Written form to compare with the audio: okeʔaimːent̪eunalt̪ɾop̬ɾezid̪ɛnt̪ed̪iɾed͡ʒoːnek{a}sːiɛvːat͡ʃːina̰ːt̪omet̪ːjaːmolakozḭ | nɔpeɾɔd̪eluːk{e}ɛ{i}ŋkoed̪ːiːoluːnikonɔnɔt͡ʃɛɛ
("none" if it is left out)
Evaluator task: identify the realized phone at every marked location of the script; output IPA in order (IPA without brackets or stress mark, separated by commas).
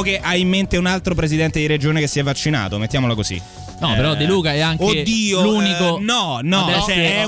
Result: e, a, a